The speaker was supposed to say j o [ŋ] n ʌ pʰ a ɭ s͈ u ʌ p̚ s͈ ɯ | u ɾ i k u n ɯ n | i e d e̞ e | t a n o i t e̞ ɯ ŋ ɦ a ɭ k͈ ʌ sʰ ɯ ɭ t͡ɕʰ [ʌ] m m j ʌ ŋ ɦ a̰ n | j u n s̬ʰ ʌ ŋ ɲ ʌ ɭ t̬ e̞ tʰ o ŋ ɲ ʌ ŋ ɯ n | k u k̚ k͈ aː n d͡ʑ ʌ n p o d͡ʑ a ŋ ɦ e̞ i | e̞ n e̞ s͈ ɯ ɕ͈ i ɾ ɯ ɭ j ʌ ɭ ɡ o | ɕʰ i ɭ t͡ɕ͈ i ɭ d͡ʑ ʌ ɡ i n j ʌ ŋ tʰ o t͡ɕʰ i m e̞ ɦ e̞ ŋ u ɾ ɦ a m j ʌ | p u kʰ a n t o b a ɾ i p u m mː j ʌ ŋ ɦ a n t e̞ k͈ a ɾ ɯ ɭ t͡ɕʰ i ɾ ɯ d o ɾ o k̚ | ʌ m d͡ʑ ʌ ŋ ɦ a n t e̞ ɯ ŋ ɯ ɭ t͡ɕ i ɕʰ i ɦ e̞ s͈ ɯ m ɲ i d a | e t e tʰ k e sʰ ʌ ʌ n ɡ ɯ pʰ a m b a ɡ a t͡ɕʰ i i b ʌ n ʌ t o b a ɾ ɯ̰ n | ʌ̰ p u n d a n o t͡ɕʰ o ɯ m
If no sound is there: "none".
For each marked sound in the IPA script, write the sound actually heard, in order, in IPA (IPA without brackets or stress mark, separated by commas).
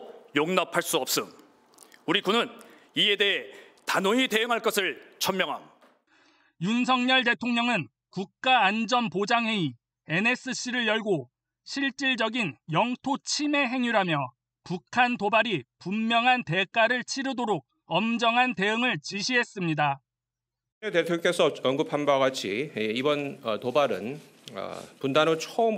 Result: ŋ, ʌ